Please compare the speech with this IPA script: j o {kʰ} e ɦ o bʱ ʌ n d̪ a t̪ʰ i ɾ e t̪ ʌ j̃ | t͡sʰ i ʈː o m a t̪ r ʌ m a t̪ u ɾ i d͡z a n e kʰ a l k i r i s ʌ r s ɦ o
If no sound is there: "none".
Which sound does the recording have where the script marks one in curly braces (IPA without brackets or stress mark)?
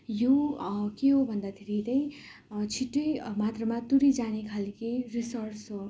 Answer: k